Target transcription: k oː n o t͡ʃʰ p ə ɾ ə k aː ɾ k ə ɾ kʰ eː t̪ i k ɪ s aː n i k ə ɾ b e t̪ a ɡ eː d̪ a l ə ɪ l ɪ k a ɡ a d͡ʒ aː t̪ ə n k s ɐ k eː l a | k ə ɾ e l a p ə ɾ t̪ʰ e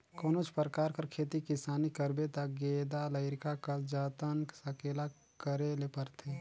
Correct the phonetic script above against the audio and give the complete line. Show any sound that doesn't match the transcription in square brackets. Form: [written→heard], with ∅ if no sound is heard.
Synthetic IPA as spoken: k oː n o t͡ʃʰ p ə ɾ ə k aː ɾ k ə ɾ kʰ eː t̪ i k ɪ s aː n i k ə ɾ b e t̪ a ɡ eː d̪ a l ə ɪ [l→ɾ] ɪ k a [ɡ→k] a d͡ʒ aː t̪ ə n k s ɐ k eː l a | k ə ɾ e l [a→e] p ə ɾ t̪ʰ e